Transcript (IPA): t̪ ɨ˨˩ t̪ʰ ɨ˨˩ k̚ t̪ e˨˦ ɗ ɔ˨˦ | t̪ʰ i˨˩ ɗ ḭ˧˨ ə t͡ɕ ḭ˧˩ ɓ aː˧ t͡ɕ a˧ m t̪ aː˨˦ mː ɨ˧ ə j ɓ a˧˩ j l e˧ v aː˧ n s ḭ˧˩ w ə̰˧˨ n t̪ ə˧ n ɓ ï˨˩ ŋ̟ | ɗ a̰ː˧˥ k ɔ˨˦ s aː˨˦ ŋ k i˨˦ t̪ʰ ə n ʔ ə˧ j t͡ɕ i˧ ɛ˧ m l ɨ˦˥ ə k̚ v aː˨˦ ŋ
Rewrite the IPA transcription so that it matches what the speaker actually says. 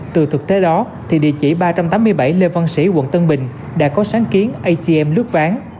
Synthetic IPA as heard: t̪ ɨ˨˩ t̪ʰ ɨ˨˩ k̚ t̪ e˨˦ ɗ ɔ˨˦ | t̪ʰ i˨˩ ɗ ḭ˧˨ ə t͡ɕ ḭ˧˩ ɓ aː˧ t͡ɕ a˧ m t̪ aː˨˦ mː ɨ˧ ə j ɓ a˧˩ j l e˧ v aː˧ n s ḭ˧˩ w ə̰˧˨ n t̪ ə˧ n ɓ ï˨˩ ŋ̟ | ɗ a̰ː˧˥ k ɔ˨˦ s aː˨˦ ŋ k i˨˦ ə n ʔ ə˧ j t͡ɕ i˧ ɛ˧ m l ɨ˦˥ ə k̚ v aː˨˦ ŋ